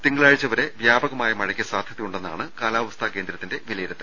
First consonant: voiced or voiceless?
voiceless